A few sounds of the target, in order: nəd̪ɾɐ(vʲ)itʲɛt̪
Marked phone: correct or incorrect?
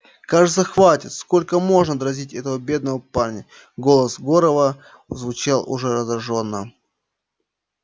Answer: incorrect